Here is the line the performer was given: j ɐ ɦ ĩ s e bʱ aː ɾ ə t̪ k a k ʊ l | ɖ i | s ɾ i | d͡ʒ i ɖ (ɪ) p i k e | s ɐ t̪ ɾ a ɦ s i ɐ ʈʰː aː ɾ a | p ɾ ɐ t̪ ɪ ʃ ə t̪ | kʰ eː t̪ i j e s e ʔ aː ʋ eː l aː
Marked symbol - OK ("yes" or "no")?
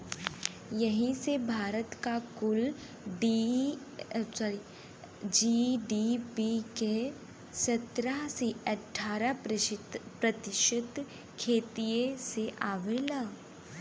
no